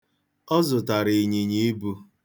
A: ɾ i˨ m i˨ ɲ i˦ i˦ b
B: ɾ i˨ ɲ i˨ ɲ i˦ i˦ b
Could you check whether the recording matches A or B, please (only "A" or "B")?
B